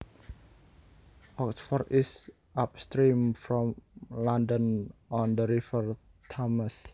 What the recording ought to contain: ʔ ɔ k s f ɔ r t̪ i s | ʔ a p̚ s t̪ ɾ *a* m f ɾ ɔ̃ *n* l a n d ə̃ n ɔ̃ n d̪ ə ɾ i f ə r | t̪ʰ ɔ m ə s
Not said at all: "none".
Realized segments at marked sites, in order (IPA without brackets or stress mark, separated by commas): i, m